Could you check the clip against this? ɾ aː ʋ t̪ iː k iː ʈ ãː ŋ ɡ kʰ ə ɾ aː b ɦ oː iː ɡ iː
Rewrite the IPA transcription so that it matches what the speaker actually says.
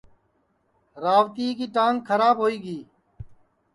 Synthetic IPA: ɾ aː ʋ t̪ iː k iː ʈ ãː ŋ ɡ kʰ ə ɾ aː b ɦ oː iː ɡ iː